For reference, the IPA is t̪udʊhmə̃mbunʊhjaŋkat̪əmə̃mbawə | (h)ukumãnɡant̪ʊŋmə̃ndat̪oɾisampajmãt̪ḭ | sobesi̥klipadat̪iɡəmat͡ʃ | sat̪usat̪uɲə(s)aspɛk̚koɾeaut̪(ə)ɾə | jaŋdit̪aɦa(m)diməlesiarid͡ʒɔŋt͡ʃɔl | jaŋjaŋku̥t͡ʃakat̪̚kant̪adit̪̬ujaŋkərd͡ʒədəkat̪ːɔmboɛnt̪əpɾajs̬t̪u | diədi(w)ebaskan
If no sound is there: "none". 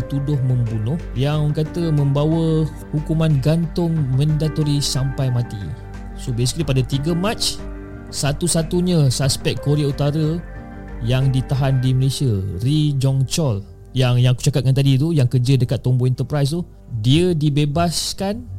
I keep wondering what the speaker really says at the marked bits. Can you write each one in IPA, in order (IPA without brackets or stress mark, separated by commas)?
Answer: h, s, a, n, b